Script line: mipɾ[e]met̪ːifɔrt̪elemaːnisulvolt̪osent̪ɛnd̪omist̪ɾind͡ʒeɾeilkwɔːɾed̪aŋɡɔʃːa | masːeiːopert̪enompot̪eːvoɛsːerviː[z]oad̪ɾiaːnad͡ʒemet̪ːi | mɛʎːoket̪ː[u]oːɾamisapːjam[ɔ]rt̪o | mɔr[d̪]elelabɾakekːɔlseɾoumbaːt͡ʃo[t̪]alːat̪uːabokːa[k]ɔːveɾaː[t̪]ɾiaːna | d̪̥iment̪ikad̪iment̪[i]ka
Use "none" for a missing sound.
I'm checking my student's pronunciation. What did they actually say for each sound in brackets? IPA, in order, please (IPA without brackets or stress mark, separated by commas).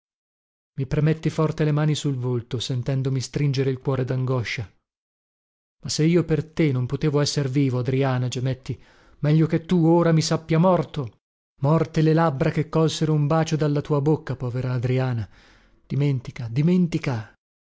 e, v, u, ɔ, t̪, d̪, p, d̪, i